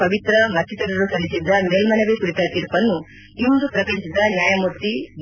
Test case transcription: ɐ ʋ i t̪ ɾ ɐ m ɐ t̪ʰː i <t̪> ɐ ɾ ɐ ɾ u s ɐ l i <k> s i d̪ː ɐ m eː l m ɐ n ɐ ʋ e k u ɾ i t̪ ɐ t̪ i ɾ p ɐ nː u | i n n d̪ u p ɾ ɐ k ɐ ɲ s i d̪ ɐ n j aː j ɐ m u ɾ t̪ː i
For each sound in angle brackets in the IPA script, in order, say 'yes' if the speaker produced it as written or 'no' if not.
yes, no

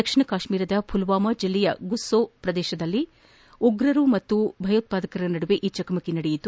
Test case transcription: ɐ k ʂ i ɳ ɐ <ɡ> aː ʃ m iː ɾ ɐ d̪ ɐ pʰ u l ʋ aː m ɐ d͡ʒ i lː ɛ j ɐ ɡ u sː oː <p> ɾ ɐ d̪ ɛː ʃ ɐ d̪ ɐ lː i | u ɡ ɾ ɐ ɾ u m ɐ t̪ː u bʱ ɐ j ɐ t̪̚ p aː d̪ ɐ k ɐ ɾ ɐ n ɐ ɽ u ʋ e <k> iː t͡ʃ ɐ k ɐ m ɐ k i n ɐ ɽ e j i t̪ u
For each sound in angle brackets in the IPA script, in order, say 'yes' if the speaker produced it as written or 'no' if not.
no, yes, no

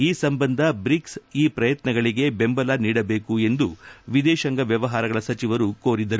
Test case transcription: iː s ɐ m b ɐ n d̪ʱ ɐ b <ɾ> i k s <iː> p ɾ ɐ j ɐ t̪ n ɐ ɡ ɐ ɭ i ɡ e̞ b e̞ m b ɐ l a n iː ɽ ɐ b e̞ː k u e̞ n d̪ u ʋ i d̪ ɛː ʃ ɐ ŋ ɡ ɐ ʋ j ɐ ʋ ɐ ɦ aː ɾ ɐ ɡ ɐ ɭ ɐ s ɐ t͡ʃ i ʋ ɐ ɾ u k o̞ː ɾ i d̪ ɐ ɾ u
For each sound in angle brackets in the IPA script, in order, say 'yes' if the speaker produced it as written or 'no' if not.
yes, yes

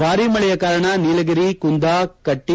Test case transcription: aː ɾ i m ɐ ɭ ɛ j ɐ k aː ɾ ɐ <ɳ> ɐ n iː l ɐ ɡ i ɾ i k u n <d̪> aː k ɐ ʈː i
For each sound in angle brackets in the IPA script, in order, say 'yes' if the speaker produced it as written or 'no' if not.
yes, yes

